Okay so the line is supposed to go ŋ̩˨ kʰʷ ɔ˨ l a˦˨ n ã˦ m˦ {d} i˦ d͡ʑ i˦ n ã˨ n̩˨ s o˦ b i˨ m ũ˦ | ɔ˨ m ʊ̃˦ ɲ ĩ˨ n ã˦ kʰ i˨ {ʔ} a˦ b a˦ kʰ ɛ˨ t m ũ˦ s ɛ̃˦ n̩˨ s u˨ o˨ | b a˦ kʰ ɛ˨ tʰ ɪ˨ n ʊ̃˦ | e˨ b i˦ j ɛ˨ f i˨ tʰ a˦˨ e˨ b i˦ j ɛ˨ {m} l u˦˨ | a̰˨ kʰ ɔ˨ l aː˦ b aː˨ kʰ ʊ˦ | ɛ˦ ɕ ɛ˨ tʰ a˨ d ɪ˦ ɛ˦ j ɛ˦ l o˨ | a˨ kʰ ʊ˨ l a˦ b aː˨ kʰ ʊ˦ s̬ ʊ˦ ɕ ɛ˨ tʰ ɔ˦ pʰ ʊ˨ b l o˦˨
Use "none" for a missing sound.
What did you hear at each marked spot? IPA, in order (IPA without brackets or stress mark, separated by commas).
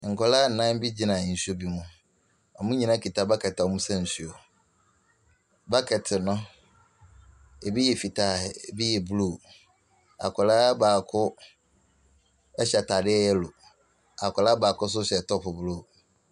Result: b, t, b